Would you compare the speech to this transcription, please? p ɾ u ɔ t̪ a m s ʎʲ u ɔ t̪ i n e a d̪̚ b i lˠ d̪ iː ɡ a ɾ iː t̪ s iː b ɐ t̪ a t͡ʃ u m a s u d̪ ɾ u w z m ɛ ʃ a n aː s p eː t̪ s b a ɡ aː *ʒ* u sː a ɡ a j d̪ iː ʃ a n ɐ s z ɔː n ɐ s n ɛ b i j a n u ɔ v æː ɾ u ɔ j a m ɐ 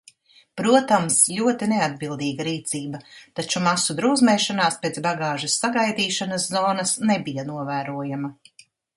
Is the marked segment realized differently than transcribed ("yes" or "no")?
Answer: no